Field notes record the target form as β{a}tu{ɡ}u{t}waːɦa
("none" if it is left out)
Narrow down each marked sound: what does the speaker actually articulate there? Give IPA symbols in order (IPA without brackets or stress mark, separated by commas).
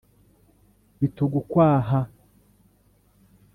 i, ɡ, k